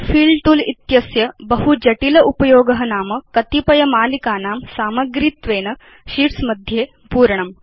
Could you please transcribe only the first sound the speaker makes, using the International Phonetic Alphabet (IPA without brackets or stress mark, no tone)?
f